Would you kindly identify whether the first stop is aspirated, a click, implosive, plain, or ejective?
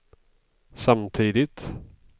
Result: aspirated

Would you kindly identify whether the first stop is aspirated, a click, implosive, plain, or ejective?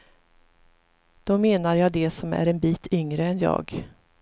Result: plain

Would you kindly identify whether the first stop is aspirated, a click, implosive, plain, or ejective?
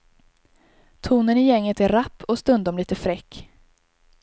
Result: aspirated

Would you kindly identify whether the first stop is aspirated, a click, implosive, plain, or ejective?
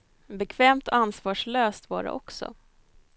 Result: plain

